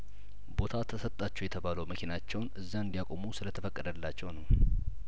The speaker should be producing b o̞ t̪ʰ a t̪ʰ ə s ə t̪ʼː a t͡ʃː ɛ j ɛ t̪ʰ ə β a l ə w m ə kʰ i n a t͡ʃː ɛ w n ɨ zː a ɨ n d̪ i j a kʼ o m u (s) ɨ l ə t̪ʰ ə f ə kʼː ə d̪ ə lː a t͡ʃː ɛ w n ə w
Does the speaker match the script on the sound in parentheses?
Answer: yes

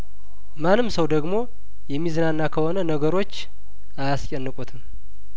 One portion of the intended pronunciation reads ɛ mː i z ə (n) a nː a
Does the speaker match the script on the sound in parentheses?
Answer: yes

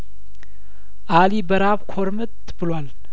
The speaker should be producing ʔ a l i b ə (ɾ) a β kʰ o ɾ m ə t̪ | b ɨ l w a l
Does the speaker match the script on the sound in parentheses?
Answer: yes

